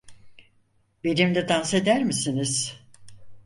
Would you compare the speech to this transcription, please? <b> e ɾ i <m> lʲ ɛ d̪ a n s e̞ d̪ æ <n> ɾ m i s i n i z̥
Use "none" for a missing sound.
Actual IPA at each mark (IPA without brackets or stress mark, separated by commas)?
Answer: b, m, none